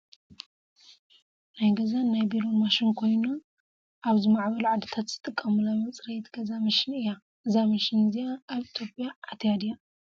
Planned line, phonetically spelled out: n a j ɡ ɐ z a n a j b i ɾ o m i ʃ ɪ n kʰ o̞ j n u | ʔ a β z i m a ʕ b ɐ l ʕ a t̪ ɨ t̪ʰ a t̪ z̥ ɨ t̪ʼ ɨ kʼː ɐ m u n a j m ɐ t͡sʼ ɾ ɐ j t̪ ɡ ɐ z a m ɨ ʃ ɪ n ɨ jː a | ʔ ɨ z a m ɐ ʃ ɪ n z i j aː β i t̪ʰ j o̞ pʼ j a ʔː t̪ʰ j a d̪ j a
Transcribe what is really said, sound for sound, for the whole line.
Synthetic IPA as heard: n a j ɡ ɐ z a n a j b i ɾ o m a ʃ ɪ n kʰ o̞ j n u | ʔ a β z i m a ʕ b ɐ l ʕ a d̪ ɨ t̪ʰ a t̪ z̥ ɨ t̪ʼ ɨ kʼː ɐ m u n a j m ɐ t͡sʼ ɾ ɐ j t̪ ɡ ɐ z a m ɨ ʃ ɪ n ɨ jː a | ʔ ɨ z a m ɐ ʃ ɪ n z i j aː β i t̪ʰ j o̞ pʼ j a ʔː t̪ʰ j a d̪ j a